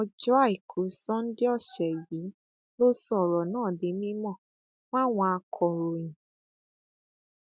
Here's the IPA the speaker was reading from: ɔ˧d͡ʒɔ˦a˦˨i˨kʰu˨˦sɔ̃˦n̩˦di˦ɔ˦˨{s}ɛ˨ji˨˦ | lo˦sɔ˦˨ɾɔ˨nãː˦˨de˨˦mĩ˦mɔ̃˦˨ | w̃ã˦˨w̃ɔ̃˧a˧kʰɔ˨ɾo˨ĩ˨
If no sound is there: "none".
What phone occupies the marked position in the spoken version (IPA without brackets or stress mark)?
ʃ